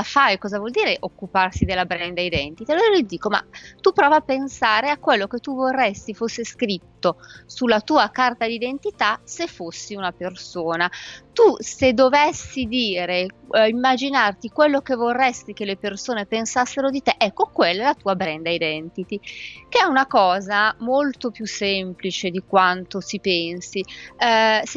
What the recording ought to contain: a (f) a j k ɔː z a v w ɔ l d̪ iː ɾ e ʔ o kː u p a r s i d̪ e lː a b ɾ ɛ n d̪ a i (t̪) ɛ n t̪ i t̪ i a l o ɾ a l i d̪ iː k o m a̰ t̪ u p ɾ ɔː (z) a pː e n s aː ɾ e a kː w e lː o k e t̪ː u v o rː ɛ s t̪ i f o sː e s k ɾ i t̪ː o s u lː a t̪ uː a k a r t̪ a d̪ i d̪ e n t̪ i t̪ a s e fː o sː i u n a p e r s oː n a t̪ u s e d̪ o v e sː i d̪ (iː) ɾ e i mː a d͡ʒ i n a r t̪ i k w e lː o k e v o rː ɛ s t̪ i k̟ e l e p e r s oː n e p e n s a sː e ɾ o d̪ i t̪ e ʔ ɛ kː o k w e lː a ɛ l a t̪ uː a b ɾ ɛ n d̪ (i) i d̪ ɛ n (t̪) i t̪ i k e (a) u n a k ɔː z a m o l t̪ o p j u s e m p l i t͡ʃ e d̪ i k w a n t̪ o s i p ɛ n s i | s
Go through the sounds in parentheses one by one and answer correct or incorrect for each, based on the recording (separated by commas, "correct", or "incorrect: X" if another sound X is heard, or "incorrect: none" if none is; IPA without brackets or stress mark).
correct, incorrect: d̪, incorrect: v, correct, incorrect: a, correct, incorrect: ɛ